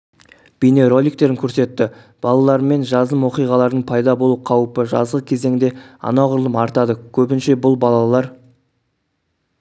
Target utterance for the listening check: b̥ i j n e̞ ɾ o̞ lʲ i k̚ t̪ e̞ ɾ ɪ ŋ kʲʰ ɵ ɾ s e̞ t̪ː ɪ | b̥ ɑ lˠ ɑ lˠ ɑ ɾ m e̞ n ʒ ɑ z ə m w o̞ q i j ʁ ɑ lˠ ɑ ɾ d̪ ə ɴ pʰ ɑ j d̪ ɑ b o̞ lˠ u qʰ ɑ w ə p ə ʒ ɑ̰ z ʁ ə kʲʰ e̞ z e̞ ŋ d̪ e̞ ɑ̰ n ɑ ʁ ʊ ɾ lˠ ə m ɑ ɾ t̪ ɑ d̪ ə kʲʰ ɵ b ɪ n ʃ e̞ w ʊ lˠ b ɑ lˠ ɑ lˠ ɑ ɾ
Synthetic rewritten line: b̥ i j n e̞ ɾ o̞ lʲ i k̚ t̪ e̞ ɾ ɪ ŋ kʲʰ ɵ ɾ s e̞ t̪ː ɪ | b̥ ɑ lˠ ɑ lˠ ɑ ɾ m e̞ n ʒ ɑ z ə m w o̞ q i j ʁ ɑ lˠ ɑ ɾ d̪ ə ɴ pʰ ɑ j d̪ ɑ b o̞ lˠ u qʰ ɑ w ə p ə ʒ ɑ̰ z ʁ ə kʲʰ e̞ z e̞ ŋ d̪ e̞ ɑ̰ n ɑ ʁ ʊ ɾ lˠ ə m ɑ ɾ t̪ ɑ d̪ ə kʲʰ ɵ b ɪ n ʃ e̞ b ʊ lˠ b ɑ lˠ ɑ lˠ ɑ ɾ